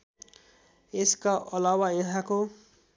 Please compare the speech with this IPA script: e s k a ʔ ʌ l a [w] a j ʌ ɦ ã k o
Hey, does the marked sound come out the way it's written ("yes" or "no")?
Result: yes